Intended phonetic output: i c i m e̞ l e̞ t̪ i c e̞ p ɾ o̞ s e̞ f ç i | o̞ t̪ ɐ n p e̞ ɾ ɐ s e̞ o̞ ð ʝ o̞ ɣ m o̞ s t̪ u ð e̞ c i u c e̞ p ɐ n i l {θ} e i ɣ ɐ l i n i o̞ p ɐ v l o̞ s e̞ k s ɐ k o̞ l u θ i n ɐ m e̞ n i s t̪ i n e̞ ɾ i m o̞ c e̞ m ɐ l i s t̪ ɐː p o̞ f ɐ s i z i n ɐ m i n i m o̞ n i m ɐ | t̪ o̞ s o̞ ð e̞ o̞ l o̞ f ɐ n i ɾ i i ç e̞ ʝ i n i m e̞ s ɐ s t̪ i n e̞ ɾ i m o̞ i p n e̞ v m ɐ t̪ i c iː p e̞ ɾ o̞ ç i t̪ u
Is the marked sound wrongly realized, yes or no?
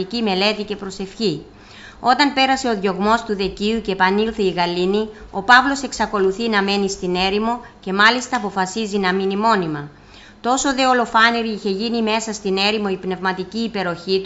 no